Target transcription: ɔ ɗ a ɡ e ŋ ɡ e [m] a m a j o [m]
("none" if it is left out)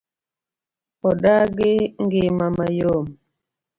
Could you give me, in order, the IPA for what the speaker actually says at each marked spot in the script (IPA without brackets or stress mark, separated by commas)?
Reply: m, m